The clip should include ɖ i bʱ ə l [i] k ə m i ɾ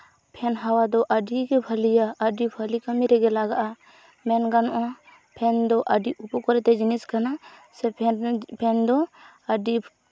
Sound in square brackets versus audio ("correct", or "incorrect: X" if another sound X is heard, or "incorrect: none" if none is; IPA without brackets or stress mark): correct